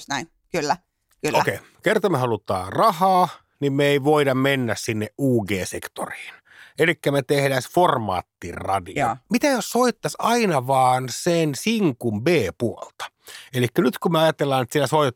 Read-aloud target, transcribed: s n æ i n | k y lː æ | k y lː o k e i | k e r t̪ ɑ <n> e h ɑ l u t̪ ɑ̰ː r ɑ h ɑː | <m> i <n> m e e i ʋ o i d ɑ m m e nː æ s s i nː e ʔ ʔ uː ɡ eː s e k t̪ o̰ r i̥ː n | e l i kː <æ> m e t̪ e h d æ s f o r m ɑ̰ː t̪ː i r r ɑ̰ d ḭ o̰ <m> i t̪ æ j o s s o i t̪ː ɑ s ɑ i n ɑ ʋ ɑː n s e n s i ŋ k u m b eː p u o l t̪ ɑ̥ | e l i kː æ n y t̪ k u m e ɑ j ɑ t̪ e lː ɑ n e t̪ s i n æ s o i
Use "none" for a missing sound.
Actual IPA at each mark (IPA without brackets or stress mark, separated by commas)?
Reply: m, n, m, æ, m